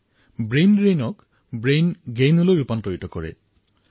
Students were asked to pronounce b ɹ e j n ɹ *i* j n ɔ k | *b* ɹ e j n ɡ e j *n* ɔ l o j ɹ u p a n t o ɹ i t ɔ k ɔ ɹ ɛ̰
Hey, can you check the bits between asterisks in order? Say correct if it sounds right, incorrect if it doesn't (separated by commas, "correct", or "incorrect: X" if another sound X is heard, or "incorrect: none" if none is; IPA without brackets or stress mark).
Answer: incorrect: e, correct, correct